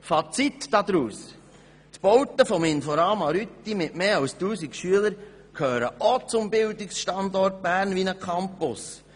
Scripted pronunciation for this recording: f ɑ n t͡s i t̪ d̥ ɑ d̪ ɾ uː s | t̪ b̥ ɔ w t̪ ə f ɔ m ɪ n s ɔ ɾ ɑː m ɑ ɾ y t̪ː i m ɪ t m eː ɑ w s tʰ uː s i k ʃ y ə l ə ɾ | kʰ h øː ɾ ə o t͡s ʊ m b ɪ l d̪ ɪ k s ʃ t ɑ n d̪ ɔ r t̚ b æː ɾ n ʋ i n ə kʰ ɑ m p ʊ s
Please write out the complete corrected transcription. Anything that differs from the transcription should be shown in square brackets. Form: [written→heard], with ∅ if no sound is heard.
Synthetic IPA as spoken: f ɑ [n→∅] t͡s i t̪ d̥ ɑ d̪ ɾ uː s | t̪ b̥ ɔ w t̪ ə f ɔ m ɪ n [s→f] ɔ ɾ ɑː m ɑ ɾ y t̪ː i m ɪ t m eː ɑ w s [tʰ→t] uː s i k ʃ y ə l ə ɾ | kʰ h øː ɾ ə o t͡s ʊ m b ɪ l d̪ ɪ k s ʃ t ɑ n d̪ ɔ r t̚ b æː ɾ n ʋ i n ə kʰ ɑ m p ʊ s